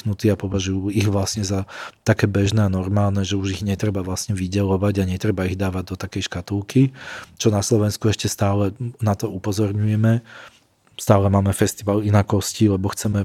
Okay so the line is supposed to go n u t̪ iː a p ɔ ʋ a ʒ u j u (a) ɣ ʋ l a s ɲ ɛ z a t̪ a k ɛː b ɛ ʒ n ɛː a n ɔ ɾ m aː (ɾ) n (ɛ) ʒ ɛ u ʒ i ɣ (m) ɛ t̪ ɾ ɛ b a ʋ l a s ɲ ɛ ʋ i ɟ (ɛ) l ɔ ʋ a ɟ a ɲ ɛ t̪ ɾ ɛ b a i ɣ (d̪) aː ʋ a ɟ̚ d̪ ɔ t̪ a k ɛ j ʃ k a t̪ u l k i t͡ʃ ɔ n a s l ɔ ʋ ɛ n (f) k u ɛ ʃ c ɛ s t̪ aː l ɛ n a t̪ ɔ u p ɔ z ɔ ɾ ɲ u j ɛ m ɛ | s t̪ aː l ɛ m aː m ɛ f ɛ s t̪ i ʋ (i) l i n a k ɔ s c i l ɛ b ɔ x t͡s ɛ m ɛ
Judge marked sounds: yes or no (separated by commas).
no, no, yes, no, yes, yes, no, no